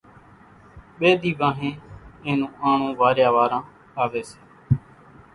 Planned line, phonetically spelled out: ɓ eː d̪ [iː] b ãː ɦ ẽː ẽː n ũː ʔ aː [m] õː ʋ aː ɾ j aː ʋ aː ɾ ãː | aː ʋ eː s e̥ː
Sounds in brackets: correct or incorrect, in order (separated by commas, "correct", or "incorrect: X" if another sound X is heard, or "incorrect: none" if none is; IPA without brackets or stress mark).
correct, incorrect: ɳ